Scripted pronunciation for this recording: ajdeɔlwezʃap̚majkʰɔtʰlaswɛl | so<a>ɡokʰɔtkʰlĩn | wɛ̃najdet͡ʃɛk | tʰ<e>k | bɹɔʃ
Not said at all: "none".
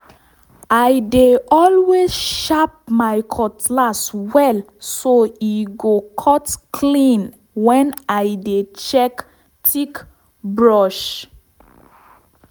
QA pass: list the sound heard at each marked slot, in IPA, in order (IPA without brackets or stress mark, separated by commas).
i, i